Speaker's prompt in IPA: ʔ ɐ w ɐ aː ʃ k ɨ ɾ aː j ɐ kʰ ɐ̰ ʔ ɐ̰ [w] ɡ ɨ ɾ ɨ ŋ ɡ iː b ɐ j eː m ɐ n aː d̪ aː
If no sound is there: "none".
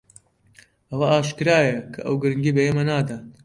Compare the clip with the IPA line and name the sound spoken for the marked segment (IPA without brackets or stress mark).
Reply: w